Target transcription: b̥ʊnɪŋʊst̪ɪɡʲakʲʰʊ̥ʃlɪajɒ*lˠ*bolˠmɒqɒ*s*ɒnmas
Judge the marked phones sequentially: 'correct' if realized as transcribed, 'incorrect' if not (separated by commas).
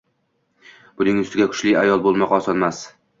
correct, correct